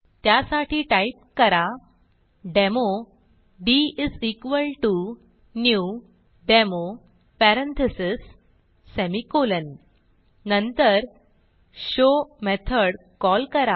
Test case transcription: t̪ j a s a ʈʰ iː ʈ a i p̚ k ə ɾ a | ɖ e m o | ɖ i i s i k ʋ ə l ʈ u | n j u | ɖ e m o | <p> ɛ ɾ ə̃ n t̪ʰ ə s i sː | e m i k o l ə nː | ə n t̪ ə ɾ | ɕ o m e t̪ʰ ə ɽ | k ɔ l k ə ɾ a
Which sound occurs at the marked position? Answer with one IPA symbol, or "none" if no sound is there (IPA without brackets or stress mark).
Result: p